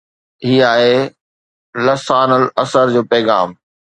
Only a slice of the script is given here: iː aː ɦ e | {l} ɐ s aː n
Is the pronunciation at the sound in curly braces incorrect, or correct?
correct